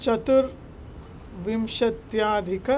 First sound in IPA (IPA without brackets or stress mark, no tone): t͡ʃ